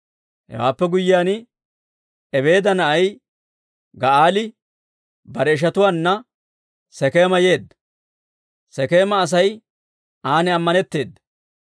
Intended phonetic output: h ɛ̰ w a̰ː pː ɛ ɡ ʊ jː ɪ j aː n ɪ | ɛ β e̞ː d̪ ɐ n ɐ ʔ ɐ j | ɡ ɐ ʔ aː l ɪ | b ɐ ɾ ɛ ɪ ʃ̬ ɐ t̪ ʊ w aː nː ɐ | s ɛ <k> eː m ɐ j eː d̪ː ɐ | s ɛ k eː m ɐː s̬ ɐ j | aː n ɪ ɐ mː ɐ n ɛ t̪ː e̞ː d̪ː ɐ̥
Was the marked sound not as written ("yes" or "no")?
no